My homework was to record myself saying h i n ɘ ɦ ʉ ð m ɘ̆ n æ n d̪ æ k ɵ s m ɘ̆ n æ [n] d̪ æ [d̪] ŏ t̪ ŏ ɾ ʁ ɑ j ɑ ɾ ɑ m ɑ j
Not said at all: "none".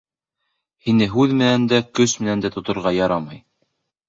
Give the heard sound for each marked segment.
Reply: n, t̪

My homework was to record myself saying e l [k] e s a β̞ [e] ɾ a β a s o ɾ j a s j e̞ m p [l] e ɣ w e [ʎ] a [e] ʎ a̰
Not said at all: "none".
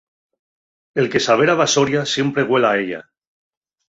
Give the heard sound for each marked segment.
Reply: k, e, ɾ, l, e

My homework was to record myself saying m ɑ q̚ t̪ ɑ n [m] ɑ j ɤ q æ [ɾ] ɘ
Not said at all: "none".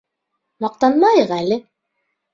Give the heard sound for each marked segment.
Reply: m, l

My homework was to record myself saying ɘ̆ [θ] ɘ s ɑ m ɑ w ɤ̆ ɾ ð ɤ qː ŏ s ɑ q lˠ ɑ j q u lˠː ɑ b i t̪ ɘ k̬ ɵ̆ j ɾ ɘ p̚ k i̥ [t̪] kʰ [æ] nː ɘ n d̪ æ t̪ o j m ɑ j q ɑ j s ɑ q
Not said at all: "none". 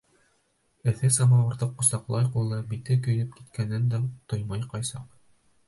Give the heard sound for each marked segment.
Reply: θ, t̪, æ

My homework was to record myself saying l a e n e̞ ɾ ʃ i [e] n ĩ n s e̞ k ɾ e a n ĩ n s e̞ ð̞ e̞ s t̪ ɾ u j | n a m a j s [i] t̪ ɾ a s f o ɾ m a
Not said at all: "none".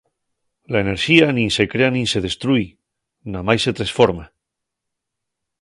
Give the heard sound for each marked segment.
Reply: a, e

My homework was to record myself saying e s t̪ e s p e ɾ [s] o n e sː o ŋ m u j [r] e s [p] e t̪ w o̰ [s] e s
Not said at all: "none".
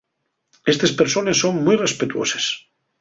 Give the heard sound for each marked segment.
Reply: s, r, p, s

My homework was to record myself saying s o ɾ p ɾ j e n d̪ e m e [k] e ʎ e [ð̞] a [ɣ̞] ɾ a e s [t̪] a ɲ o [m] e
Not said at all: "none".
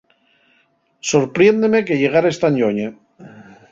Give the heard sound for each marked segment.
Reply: k, ɣ̞, none, t̪, ɲ

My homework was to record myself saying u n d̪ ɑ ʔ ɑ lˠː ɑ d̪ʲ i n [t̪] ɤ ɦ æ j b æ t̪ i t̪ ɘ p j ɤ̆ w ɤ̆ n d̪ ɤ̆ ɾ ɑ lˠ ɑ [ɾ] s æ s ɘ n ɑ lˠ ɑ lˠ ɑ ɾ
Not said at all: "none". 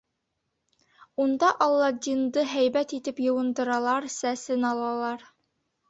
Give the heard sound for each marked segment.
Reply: d̪, ɾ

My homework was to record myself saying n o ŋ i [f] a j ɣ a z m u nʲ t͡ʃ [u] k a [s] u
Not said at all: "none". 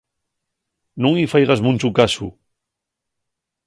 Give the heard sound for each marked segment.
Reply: f, u, s

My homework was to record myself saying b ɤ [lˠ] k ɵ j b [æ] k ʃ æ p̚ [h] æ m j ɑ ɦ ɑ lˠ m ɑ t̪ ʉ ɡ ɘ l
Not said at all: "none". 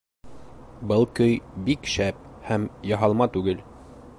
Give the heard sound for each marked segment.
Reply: lˠ, i, h

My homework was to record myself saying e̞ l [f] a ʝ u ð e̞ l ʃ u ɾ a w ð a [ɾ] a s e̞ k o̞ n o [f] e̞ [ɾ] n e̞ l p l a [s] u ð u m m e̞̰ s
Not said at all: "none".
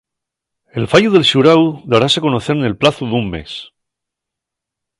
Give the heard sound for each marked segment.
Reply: f, ɾ, θ, ɾ, θ

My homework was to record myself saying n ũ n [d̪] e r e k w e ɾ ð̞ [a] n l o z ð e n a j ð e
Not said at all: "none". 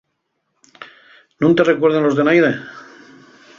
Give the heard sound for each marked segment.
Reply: t̪, e

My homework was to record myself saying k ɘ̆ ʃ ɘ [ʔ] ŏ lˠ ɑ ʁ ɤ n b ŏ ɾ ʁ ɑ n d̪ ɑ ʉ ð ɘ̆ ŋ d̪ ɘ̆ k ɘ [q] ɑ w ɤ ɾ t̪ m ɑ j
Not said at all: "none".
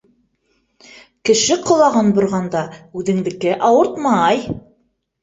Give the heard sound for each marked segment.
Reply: q, ʔ

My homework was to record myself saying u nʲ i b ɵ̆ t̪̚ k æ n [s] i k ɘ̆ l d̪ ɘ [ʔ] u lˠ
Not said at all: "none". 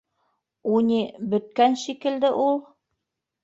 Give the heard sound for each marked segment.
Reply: ʃ, ʔ

